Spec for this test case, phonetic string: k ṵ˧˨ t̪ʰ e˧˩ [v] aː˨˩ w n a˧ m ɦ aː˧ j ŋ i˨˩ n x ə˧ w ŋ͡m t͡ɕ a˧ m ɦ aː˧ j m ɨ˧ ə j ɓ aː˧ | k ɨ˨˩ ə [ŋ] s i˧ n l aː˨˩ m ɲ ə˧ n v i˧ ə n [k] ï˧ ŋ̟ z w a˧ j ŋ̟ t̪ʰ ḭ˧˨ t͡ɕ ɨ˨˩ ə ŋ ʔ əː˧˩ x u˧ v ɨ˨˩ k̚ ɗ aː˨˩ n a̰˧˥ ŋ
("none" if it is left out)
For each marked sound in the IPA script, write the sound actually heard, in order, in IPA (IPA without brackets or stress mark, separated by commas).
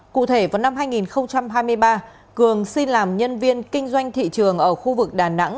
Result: v, ŋ, k